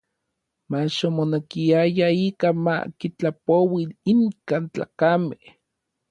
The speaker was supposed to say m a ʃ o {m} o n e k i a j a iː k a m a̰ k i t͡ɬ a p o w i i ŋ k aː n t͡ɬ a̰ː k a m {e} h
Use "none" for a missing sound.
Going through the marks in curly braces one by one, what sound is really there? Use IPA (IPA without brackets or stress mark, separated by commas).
m, e